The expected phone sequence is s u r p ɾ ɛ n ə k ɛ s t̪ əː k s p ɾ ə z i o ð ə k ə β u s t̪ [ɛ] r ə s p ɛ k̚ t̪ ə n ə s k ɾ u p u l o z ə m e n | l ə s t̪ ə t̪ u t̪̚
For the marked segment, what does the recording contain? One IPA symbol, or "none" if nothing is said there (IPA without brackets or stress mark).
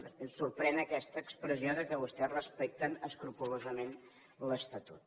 ɛ